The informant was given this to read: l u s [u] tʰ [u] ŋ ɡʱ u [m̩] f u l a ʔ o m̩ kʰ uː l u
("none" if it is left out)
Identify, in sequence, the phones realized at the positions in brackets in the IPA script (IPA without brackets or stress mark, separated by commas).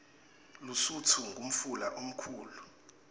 u, u, m̩